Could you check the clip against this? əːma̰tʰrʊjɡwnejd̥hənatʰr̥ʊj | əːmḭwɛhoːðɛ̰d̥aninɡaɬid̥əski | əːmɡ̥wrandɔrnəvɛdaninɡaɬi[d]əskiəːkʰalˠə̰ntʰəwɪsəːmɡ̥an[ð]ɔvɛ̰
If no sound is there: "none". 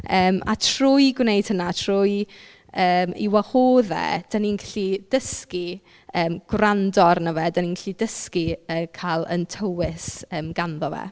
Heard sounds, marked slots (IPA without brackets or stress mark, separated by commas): d, ð